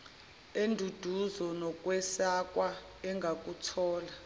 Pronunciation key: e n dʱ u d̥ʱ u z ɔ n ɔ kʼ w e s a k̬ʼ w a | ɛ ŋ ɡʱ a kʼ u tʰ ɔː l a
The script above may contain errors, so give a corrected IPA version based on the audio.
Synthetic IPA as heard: e n dʱ u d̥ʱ u z ɔ n ɔ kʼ w ɛ s a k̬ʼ w a | ɛ ŋ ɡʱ a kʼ u tʰ ɔː l a